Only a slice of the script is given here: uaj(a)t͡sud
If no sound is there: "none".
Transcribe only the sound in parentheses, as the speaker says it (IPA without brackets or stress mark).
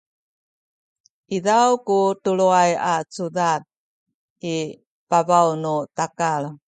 a